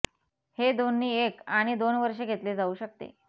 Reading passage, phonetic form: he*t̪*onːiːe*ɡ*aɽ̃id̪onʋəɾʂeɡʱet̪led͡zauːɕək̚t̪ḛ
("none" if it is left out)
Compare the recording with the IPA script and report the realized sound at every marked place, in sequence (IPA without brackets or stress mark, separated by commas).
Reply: d̪, k